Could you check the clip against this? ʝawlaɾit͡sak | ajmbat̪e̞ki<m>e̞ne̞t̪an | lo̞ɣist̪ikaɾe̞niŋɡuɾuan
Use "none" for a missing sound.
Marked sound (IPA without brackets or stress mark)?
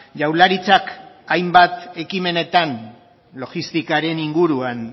m